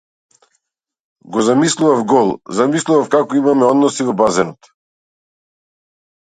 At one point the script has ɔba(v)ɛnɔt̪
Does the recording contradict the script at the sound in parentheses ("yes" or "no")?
yes